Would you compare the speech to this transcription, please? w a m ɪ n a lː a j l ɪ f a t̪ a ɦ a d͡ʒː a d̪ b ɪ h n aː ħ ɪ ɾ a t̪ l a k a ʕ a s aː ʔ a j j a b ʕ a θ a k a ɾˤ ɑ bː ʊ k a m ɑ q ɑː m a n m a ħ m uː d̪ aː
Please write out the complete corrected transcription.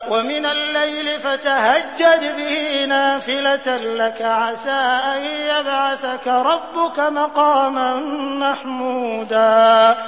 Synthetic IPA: w a m ɪ n a lː a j l ɪ f a t̪ a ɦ a d͡ʒː a d̪ b ɪ h n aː f ɪ l a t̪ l a k a ʕ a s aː ʔ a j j a b ʕ a θ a k a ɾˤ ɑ bː ʊ k a m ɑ q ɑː m a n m a ħ m uː d̪ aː